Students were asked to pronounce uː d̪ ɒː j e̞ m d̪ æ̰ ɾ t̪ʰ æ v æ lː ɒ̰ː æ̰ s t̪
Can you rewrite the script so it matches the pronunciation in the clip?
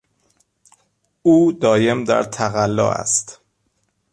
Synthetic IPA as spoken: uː d̪ ɒː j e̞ m d̪ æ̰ ɾ t̪ʰ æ ɣ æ lː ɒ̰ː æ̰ s t̪